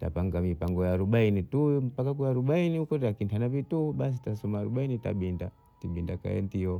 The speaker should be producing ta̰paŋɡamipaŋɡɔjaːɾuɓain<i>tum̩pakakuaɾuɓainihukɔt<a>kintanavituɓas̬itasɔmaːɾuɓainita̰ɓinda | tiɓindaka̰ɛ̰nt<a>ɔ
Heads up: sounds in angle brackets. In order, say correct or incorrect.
correct, correct, incorrect

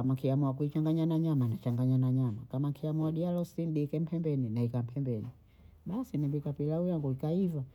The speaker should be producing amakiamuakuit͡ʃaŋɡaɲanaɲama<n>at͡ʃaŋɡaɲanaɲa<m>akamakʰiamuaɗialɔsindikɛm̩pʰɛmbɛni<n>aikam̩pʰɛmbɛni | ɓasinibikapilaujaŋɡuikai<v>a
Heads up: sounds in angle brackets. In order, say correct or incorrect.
correct, correct, correct, correct

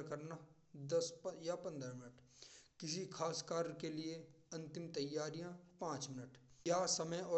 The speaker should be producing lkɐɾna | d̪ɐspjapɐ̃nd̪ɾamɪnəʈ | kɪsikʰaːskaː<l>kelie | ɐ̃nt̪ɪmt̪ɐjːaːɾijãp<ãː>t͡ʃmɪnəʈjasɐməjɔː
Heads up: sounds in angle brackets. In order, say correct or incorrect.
incorrect, correct

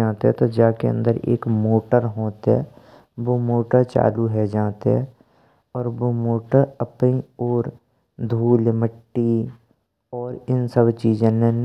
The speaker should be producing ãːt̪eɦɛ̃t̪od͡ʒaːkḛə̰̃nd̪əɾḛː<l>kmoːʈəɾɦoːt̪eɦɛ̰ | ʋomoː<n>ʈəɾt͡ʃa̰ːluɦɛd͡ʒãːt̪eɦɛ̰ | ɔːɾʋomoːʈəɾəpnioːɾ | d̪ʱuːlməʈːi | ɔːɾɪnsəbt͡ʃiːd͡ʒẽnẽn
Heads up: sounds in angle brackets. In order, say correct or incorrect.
incorrect, incorrect

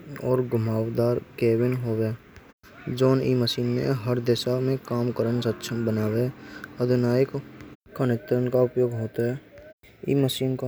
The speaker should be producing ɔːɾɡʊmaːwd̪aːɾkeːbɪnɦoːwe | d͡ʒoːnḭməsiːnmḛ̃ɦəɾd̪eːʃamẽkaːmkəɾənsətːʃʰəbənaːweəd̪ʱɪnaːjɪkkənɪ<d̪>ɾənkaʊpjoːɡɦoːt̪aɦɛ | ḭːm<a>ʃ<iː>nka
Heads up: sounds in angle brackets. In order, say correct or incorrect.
incorrect, incorrect, correct

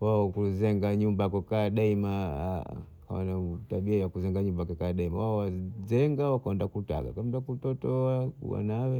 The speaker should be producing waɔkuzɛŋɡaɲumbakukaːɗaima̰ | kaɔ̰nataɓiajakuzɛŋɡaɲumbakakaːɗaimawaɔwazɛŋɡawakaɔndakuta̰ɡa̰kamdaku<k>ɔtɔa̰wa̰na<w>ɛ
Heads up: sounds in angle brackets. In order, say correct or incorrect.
incorrect, correct

